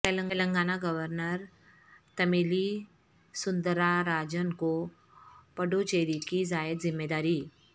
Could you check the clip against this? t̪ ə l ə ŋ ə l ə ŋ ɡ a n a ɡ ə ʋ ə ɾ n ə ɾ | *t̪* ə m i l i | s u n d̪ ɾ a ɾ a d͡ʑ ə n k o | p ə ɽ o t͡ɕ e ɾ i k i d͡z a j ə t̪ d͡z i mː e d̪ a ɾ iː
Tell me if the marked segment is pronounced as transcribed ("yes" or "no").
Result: yes